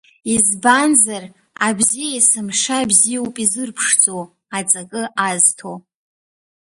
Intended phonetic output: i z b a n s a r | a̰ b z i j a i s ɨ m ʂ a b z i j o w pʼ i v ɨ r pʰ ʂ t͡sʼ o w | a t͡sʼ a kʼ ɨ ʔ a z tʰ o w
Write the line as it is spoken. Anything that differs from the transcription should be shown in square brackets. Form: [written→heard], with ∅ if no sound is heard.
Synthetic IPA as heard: i z b a n [s→z] a r | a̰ b z i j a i s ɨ m ʂ a b z i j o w pʼ i [v→z] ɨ r pʰ ʂ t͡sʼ o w | a t͡sʼ a kʼ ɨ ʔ a z tʰ o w